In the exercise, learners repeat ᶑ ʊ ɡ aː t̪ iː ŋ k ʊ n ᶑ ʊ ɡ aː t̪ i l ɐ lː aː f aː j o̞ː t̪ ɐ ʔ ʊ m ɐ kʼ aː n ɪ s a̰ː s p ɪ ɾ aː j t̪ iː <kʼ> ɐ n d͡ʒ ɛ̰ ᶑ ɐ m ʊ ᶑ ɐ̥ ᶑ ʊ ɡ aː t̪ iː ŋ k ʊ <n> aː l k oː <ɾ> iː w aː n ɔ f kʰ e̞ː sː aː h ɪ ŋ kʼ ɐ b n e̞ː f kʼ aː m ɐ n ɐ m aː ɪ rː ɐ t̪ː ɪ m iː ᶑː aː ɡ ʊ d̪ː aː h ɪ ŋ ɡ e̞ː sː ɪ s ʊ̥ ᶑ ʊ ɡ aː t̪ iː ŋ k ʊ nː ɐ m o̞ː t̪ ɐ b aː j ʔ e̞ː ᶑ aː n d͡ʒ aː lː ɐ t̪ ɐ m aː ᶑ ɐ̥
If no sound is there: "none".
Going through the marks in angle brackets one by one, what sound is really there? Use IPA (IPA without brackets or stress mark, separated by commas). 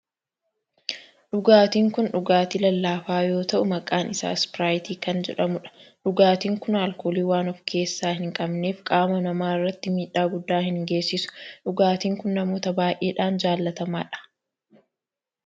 k, n, l